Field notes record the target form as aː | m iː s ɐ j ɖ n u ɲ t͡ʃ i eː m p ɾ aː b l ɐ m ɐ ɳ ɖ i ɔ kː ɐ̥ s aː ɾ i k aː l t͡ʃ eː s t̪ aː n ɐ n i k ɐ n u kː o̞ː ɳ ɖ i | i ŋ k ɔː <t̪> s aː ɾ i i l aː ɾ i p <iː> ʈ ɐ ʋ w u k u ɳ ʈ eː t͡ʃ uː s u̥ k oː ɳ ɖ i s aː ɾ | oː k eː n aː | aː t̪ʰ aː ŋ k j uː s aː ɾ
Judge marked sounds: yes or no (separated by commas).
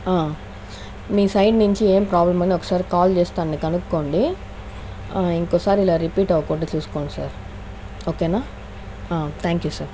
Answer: no, yes